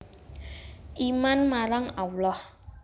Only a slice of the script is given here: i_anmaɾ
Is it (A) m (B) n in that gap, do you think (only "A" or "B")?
A